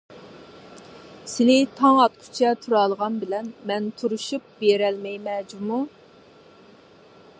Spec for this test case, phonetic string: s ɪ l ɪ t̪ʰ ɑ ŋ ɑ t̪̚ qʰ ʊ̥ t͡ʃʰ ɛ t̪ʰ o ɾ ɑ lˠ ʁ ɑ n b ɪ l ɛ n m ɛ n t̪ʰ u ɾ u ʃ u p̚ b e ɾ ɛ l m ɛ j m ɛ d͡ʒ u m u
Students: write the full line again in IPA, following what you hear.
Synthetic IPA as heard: s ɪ l ɪ t̪ʰ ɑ ŋ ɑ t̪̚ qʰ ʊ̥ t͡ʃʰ ɛ t̪ʰ u ɾ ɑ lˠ ʁ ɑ n b ɪ l ɛ n m ɛ n t̪ʰ u ɾ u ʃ u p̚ b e ɾ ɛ l m ɛ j m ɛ d͡ʒ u m u

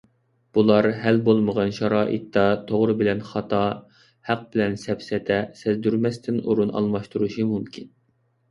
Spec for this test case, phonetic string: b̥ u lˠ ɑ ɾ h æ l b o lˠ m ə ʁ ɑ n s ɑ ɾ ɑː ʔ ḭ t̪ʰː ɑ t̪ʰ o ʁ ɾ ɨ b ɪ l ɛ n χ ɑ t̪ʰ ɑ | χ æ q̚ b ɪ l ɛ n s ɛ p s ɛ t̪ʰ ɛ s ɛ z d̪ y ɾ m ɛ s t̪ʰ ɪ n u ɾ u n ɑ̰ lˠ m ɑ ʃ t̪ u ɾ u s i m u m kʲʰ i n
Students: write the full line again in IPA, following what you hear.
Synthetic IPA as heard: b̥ u lˠ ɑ ɾ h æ l b o lˠ m ə ʁ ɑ n ʃ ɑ ɾ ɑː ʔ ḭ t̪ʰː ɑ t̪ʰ o ʁ ɾ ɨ b ɪ l ɛ n χ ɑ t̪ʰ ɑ | h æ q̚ b ɪ l ɛ n s ɛ p s ɛ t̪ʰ ɛ s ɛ z d̪ y ɾ m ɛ s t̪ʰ ɪ n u ɾ u n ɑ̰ lˠ m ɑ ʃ t̪ u ɾ u ʃ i m u m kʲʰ i n

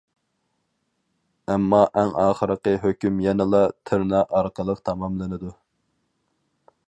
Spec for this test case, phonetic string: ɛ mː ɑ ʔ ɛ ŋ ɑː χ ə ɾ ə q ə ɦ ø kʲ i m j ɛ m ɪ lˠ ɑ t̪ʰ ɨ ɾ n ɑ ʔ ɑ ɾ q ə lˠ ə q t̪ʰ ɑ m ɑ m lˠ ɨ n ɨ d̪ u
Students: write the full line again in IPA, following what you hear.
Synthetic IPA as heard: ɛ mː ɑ ʔ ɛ ŋ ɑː χ ə ɾ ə q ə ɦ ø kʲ y m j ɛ n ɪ lˠ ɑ t̪ʰ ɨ ɾ n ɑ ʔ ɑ ɾ q ə lˠ ə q t̪ʰ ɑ m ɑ m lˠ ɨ n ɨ d̪ u

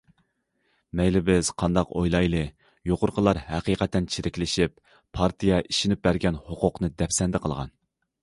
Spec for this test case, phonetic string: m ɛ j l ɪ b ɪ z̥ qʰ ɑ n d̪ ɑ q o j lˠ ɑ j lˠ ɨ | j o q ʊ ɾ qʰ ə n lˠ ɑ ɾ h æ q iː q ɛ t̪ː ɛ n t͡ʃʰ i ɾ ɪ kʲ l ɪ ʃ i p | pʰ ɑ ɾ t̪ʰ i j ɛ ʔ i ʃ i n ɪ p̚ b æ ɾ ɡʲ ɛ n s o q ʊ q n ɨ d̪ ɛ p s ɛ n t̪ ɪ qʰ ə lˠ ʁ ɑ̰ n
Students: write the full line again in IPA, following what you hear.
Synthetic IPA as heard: m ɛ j l ɪ b ɪ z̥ qʰ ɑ n d̪ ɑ q o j lˠ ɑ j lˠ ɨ | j o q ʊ ɾ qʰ ə lˠ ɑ ɾ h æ q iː q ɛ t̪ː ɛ n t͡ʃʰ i ɾ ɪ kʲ l ɪ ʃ i p | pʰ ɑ ɾ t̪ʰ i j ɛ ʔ i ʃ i n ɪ p̚ b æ ɾ ɡʲ ɛ n h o q ʊ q n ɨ d̪ ɛ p s ɛ n d̪ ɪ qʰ ə lˠ ʁ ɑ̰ n

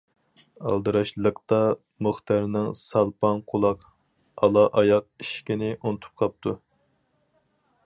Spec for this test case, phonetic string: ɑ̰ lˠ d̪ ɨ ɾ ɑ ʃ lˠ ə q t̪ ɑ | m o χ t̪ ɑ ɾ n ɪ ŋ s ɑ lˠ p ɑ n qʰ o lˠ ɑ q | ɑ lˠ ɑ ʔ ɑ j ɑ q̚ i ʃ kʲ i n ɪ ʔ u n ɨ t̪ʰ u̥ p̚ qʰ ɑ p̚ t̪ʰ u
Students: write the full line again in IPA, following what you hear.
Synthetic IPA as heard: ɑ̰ lˠ d̪ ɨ ɾ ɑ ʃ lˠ ə q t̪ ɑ | m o χ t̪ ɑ ɾ n ɪ ŋ s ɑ lˠ p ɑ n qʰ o lˠ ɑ q | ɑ lˠ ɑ ʔ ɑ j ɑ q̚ i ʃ kʲ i n ɪ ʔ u n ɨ t̪ʰ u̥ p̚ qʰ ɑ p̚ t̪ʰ u

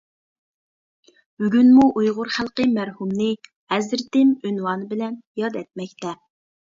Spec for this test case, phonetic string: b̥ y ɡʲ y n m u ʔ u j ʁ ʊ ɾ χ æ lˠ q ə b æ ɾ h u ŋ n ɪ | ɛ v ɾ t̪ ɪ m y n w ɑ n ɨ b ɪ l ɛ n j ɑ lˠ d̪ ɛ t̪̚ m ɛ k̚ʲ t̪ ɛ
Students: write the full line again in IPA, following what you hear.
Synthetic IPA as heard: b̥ y ɡʲ y n m u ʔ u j ʁ ʊ ɾ χ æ lˠ q ə m æ ɾ h u m n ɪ | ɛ z ɾ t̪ ɪ m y n w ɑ n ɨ b ɪ l ɛ n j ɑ d̪ ɛ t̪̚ m ɛ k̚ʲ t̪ ɛ

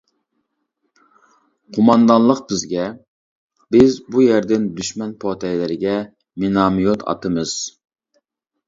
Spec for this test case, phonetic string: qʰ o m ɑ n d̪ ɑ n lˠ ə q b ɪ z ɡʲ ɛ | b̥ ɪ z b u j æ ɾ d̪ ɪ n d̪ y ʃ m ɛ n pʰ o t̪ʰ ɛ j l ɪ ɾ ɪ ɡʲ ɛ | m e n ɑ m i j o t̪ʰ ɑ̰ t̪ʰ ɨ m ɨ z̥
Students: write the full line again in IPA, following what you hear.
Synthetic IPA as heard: qʰ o m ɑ n d̪ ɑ n lˠ ə q b ɪ z ɡʲ ɛ | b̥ ɪ z b u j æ ɾ d̪ ɪ n d̪ y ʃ m ɛ n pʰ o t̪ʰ ɛ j l ɪ ɾ ɪ ɡʲ ɛ | m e n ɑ m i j o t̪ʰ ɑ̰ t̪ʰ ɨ m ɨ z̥

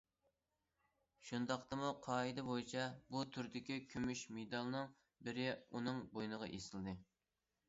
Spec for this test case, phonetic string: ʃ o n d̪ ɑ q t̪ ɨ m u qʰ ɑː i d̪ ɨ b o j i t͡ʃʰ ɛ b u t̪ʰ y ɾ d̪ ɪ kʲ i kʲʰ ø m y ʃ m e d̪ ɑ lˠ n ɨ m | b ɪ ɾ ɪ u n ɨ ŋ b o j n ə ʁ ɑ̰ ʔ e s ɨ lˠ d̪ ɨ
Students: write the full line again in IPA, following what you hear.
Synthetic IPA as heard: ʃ u n d̪ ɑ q t̪ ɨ m u qʰ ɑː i d̪ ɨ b o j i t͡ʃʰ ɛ b u t̪ʰ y ɾ d̪ ɪ kʲ i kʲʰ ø m y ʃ m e d̪ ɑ lˠ n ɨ ŋ | b ɪ ɾ ɪ u n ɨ ŋ b o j n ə ʁ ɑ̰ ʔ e s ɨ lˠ d̪ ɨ

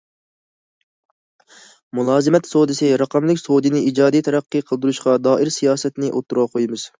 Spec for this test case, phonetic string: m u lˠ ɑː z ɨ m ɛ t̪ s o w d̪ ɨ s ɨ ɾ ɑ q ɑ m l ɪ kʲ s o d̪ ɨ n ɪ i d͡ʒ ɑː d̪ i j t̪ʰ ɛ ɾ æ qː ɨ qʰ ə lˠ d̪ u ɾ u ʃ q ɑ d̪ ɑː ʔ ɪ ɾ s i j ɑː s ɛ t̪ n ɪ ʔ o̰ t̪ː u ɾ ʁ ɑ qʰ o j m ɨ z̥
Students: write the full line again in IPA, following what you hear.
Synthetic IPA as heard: m u lˠ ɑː z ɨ m ɛ t̪ s o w d̪ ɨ s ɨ ɾ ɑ q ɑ m l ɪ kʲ s o d̪ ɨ n ɪ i d͡ʒ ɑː d̪ i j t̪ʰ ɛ ɾ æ qː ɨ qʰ ə lˠ d̪ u ɾ u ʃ q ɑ d̪ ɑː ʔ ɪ ɾ s i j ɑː s ɛ t̪ n ɪ ʔ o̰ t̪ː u ɾ ʁ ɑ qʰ o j m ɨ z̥

